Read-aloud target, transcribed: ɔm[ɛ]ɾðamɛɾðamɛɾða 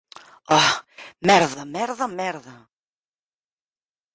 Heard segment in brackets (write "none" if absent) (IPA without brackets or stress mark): ɛ